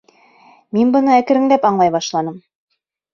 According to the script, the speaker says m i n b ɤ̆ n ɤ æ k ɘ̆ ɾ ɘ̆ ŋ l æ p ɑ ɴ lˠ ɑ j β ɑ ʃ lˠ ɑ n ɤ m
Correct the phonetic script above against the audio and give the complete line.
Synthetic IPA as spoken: m i n b ɤ̆ n ɤ æ k ɘ̆ ɾ ɘ̆ ŋ l æ p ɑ ɴ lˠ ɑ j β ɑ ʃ lˠ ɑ n ɤ m

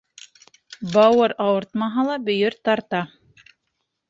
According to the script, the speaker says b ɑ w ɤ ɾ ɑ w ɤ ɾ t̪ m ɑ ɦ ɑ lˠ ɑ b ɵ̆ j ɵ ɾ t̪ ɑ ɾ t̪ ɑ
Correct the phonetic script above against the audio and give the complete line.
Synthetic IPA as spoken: b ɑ w ɤ ɾ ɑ w ɤ ɾ t̪ m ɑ ɦ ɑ lˠ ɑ b ɵ̆ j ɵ ɾ t̪ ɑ ɾ t̪ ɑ

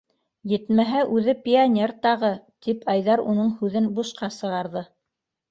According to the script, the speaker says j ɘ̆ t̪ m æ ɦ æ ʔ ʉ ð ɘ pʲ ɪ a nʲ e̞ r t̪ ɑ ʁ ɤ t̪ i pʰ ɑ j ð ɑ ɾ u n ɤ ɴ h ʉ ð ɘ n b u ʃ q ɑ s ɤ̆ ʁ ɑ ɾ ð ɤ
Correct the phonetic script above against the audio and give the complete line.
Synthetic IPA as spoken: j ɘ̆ t̪ m æ ɦ æ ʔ ʉ ð ɘ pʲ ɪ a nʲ e̞ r t̪ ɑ ʁ ɤ t̪ i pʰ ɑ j ð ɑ ɾ u n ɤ ɴ h ʉ ð ɘ n b u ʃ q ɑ s ɤ̆ ʁ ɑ ɾ ð ɤ

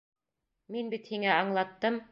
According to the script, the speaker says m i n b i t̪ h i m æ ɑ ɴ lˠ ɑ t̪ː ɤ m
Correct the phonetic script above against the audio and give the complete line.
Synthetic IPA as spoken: m i n b i t̪ h i ŋ æ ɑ ɴ lˠ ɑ t̪ː ɤ m

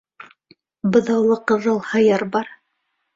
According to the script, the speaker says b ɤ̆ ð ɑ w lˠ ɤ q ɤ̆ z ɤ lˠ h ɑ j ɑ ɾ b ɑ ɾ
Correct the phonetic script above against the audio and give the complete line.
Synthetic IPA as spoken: b ɤ̆ ð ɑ w lˠ ɤ q ɤ̆ ð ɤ lˠ h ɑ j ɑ ɾ b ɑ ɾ

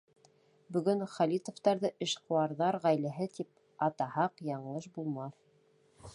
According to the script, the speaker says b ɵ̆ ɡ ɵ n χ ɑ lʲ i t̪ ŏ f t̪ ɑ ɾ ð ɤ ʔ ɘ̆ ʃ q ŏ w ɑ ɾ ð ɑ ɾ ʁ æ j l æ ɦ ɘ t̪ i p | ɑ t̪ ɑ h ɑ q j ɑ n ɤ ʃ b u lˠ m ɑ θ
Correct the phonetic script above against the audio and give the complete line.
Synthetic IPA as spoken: b ɵ̆ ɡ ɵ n χ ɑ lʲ i t̪ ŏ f t̪ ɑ ɾ ð ɤ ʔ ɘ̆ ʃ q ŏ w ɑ ɾ ð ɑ ɾ ʁ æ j l æ ɦ ɘ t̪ i p | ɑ t̪ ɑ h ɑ q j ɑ ɴ ɤ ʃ b u lˠ m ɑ θ

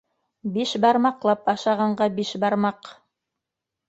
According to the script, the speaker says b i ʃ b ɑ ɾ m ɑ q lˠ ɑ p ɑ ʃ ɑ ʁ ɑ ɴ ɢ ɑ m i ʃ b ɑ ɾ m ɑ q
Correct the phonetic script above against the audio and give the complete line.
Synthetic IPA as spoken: b i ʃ b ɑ ɾ m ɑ q lˠ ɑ p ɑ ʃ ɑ ʁ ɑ ɴ ɢ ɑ b i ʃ b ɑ ɾ m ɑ q

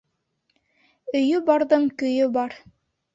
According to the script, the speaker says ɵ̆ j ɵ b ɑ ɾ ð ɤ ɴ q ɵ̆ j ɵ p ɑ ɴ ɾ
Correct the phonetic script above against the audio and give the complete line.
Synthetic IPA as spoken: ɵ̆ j ɵ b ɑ ɾ ð ɤ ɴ k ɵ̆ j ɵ b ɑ ɾ

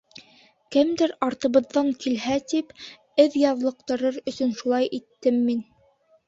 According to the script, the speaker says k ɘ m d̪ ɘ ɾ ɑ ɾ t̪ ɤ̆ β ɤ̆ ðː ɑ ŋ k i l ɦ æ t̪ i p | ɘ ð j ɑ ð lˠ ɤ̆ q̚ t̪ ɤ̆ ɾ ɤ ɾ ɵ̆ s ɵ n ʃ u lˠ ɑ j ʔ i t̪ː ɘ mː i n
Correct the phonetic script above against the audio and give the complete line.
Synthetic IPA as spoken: k ɘ m d̪ ɘ ɾ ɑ ɾ t̪ ɤ̆ β ɤ̆ ðː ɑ ŋ k i l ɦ æ t̪ i p | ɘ ð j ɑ ð lˠ ɤ̆ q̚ t̪ ɤ̆ ɾ ɤ ɾ ɵ̆ s ɵ n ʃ u lˠ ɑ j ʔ i t̪ː ɘ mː i n

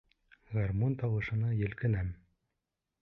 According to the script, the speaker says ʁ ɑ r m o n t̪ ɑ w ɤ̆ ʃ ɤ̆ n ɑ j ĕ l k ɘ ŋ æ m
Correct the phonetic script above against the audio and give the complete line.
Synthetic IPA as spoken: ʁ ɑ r m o n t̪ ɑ w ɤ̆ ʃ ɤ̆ n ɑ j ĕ l k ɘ n æ m

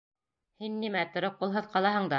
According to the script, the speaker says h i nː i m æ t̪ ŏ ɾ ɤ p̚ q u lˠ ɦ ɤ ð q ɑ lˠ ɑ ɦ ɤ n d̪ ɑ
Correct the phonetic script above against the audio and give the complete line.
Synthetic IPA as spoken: h i nː i m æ t̪ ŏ ɾ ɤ p̚ q u lˠ ɦ ɤ ð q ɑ lˠ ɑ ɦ ɤ ɴ d̪ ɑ

